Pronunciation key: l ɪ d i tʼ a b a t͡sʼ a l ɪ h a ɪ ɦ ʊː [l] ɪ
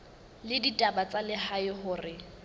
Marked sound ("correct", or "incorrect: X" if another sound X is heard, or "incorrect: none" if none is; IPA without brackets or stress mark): incorrect: r